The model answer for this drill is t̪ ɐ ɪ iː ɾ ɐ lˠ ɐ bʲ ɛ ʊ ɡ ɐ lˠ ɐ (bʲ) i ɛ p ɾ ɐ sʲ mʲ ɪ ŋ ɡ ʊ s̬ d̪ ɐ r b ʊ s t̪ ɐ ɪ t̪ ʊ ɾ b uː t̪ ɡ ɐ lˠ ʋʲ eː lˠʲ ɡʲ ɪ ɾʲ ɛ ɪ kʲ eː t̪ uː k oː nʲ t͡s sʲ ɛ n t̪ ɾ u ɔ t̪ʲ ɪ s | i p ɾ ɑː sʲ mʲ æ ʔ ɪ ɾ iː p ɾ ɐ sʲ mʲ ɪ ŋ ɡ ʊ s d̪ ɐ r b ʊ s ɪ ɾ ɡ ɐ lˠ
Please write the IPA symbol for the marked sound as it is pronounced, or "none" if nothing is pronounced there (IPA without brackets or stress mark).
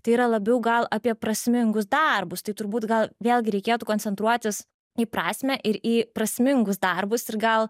pʲ